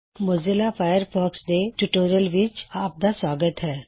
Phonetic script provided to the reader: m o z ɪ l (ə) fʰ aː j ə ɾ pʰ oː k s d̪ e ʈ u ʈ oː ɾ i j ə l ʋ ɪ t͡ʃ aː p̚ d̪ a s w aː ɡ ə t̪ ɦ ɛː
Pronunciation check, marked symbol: incorrect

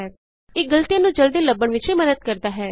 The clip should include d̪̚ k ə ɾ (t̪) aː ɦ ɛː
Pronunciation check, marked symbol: incorrect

